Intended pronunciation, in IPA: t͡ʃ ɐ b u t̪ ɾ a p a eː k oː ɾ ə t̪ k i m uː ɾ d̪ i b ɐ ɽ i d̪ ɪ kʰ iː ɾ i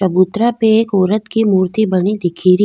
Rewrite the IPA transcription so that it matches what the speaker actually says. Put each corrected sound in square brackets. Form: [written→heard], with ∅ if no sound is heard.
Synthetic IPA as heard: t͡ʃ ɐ b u t̪ ɾ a p [a→e] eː k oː ɾ ə t̪ k i m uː ɾ [d̪→t̪] i b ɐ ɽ i d̪ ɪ kʰ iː ɾ i